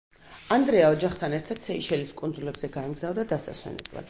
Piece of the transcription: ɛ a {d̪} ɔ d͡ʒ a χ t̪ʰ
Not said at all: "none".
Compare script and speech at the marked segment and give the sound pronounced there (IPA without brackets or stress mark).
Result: none